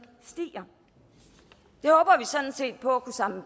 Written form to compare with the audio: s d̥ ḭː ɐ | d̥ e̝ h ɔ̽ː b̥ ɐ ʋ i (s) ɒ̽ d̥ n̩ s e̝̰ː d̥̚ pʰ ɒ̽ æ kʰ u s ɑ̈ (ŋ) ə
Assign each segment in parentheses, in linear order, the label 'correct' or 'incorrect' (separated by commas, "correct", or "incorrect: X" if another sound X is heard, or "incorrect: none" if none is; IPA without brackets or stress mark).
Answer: correct, incorrect: m